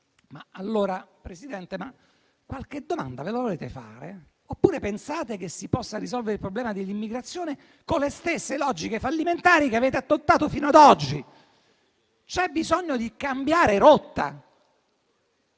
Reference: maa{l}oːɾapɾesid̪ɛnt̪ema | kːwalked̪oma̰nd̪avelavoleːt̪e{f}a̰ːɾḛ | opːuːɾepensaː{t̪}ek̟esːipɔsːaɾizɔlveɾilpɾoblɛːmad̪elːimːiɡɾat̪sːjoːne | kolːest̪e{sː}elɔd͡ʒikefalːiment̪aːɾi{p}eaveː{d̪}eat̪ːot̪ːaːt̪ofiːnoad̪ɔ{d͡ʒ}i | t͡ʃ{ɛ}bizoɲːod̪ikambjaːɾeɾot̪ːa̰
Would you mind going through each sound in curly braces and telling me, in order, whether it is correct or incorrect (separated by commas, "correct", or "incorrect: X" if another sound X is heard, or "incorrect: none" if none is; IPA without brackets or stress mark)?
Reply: incorrect: lː, correct, correct, correct, incorrect: k, incorrect: t̪, incorrect: d͡ʒː, correct